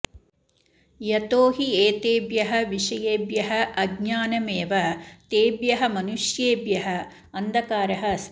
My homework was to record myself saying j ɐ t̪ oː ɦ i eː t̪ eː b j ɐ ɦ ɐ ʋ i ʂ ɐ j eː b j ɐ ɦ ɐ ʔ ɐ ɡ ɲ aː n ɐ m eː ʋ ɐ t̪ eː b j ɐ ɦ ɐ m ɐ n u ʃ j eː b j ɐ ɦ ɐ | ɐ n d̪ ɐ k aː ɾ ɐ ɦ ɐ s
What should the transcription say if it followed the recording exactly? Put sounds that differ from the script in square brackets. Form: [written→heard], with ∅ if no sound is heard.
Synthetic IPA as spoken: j ɐ t̪ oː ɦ i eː t̪ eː b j ɐ ɦ ɐ ʋ i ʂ ɐ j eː b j ɐ ɦ ɐ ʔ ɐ ɡ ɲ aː n ɐ m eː ʋ ɐ t̪ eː b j ɐ ɦ ɐ m ɐ n u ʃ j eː b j ɐ ɦ ɐ | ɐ n d̪ ɐ k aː ɾ ɐ ɦ ɐ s